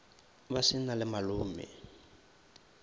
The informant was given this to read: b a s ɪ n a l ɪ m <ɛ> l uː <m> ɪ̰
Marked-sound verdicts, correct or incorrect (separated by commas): incorrect, correct